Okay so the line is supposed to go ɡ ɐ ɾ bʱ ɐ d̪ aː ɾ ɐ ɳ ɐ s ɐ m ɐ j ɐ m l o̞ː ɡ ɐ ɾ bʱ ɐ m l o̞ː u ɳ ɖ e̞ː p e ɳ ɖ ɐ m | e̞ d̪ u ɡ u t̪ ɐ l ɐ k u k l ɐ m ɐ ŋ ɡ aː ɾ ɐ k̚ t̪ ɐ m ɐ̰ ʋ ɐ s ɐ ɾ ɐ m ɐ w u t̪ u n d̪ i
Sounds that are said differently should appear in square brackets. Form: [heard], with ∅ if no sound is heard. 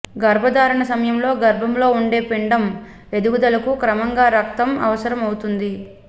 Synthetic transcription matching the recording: ɡ ɐ ɾ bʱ ɐ d̪ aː ɾ ɐ ɳ ɐ s ɐ m ɐ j ɐ m l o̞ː ɡ ɐ ɾ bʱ ɐ m l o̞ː u ɳ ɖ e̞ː p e ɳ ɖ ɐ m | e̞ d̪ u ɡ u [d̪] ɐ l ɐ k u k [ɾ] ɐ m ɐ ŋ ɡ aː ɾ ɐ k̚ t̪ ɐ m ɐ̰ ʋ ɐ s ɐ ɾ ɐ m ɐ w u t̪ u n d̪ i